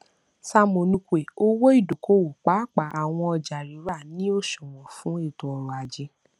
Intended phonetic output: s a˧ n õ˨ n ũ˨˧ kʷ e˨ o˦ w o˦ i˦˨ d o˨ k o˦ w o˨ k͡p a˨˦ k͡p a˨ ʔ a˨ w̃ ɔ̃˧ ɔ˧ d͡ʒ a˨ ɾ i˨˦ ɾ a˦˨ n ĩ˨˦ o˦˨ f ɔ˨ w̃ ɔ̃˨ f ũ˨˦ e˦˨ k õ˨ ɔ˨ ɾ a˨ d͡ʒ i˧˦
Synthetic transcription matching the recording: s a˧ m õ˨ n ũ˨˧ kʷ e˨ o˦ w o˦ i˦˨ d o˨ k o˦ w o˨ k͡p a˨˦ k͡p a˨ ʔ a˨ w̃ ɔ̃˧ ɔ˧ d͡ʒ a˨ ɾ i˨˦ ɾ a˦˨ n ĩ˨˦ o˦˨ ʃ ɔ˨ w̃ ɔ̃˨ f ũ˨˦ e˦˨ t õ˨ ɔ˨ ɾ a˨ d͡ʒ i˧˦